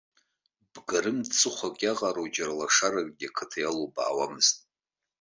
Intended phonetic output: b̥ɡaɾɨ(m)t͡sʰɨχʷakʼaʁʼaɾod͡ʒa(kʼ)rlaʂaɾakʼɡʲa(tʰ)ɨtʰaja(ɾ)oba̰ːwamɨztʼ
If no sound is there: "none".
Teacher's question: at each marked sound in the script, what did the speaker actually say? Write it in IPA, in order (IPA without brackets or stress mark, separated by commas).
m, none, kʰ, l